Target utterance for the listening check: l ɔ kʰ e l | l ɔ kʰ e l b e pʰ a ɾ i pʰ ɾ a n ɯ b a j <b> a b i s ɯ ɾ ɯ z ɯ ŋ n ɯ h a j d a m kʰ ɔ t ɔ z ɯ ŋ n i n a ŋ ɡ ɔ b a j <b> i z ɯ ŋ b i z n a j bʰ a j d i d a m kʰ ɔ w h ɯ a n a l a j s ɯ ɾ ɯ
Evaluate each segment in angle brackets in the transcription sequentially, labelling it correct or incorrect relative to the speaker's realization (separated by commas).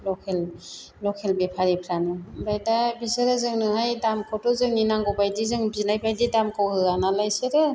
incorrect, incorrect